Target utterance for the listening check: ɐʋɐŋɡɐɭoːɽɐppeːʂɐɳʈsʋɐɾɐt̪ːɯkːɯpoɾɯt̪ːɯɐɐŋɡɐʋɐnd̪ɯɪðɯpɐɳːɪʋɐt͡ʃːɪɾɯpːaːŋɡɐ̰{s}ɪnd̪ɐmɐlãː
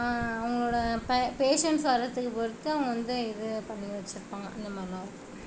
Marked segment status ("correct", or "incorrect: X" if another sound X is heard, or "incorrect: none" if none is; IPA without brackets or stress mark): incorrect: none